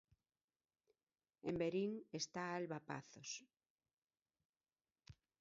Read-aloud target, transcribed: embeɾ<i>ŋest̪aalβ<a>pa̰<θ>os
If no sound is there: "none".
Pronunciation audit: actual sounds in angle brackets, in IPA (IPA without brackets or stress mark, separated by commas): i, a, θ